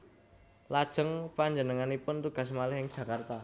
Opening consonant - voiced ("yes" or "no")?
yes